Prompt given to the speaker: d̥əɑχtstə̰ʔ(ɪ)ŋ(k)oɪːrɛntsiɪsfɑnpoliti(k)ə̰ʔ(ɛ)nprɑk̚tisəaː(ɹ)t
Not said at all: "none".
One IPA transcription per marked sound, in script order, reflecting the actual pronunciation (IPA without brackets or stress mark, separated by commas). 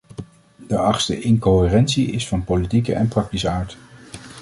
ɪ, k, k, ɛ, ɹ